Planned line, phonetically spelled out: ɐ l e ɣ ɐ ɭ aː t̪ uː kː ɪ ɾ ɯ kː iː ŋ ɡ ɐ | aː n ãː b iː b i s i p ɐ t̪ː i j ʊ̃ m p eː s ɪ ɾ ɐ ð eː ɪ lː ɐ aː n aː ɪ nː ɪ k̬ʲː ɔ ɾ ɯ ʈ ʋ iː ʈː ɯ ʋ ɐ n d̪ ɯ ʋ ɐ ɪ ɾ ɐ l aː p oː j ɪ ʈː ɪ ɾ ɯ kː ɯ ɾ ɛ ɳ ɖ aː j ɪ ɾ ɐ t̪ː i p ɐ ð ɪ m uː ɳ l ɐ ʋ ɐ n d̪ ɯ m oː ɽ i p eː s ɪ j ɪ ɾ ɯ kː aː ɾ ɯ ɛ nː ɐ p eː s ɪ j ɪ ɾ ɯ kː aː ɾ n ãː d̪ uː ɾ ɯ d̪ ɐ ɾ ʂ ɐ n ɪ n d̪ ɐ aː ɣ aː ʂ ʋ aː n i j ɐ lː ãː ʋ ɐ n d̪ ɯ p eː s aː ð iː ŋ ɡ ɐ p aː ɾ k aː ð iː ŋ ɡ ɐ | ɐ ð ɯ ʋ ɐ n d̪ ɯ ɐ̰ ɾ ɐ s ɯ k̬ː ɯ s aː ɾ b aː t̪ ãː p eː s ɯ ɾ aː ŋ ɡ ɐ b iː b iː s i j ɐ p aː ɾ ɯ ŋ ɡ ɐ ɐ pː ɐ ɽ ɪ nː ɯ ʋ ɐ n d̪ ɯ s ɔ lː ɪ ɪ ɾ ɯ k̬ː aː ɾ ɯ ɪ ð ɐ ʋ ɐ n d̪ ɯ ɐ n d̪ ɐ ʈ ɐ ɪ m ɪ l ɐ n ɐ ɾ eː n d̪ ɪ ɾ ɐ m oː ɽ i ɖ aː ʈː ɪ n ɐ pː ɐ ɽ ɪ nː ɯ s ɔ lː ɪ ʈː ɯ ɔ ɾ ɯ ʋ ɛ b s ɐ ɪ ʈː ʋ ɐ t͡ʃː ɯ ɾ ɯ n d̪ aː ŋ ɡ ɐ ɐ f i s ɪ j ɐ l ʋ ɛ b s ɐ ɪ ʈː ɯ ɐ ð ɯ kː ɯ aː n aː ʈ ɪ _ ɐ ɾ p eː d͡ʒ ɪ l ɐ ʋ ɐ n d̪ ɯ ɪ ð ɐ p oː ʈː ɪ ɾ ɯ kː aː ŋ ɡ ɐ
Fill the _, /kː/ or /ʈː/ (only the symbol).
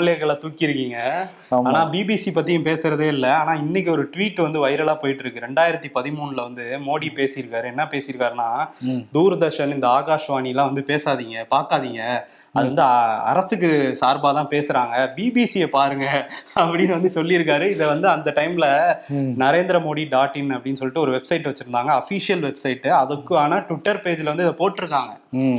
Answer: ʈː